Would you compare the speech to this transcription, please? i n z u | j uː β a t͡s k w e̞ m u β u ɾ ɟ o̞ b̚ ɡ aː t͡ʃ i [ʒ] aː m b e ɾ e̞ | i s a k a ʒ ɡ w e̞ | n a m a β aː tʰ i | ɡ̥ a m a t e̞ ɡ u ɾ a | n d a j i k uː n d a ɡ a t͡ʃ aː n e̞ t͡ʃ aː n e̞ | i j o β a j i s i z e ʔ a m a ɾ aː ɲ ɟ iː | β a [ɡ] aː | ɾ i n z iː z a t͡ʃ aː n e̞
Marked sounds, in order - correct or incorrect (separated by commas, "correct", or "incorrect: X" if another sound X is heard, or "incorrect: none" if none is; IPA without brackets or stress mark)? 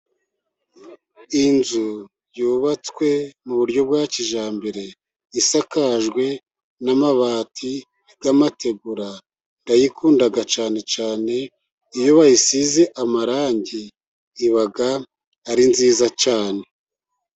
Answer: correct, correct